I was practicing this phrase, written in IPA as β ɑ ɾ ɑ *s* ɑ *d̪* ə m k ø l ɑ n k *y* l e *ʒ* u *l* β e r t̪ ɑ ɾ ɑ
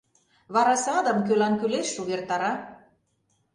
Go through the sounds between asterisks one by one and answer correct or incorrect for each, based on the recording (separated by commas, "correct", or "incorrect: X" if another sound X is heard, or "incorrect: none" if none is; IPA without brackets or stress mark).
correct, correct, correct, incorrect: ʃ, incorrect: none